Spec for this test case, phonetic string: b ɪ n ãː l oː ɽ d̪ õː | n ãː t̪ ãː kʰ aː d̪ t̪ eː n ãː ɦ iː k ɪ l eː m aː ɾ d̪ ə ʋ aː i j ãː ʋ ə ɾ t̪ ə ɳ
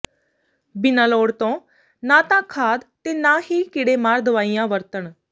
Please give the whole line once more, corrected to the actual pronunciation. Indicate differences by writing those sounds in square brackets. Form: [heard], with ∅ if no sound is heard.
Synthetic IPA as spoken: b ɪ n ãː l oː ɽ [t̪] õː | n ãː t̪ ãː kʰ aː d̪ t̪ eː n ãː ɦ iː k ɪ [ɽ] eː m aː ɾ d̪ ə ʋ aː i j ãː ʋ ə ɾ t̪ ə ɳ